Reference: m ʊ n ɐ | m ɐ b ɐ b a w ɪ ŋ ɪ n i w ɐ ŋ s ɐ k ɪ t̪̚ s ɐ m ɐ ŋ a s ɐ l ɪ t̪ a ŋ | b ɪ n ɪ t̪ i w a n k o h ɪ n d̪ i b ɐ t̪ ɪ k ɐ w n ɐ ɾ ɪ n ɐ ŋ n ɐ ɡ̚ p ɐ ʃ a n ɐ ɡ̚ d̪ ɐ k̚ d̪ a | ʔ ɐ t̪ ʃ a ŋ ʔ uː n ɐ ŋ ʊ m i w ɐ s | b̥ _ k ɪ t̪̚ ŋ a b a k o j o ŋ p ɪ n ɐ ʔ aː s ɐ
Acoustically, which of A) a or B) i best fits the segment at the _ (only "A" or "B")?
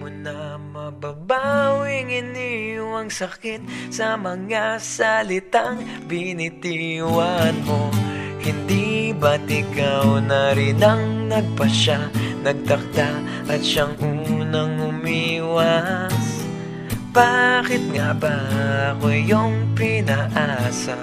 A